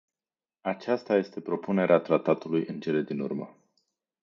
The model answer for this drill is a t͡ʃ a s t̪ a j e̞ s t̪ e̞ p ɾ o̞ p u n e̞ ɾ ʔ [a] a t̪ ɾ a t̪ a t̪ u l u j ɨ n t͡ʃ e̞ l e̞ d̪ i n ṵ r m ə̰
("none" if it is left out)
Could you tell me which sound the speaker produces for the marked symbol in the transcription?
e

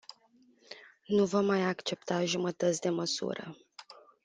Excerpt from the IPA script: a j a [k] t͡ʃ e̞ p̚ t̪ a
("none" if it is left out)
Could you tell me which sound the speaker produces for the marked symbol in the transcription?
k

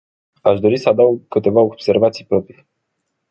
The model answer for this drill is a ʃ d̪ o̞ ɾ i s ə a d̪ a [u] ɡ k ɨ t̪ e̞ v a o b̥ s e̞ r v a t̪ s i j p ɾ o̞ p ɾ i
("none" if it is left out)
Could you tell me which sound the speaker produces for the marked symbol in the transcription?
w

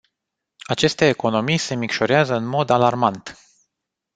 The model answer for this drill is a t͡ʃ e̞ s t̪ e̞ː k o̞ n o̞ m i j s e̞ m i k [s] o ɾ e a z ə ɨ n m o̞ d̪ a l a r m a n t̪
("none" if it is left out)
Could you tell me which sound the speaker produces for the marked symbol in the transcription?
ʃ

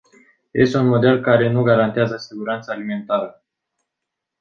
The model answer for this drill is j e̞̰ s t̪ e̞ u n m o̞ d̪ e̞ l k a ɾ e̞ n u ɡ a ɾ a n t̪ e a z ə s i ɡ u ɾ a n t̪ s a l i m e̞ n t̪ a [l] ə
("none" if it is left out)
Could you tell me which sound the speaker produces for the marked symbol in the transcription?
ɾ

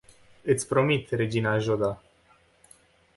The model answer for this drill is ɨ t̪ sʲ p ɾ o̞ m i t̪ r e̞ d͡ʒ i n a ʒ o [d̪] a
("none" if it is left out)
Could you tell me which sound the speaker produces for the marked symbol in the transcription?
d̪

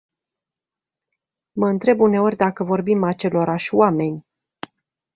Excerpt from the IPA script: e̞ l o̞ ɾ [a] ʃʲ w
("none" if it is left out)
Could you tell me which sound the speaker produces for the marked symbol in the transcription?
a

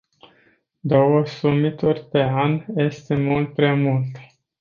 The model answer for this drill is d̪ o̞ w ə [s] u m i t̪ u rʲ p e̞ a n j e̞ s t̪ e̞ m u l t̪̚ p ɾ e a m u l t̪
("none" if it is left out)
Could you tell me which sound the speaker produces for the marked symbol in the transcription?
s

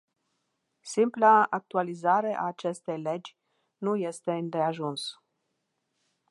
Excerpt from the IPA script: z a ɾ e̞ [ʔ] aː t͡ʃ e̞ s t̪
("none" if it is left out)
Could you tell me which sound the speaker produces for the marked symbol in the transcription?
ʔ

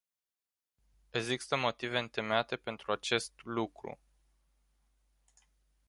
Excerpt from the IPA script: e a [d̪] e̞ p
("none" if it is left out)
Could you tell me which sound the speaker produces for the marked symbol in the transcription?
t̪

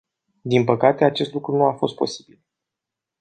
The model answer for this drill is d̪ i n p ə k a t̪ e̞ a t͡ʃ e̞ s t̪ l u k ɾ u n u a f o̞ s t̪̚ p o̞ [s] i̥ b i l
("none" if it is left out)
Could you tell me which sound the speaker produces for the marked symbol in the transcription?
s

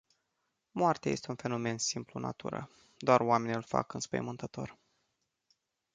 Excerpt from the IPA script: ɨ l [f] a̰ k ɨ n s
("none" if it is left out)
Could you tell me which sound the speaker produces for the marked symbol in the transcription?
f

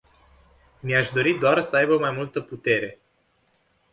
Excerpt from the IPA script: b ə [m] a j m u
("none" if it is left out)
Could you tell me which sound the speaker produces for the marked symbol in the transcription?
m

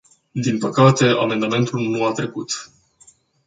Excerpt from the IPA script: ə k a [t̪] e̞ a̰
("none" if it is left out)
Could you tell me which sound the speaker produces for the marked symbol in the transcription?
t̪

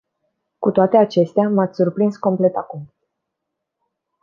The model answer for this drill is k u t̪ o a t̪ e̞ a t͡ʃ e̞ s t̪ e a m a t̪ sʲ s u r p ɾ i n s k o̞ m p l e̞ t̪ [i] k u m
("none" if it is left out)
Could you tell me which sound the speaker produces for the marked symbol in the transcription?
a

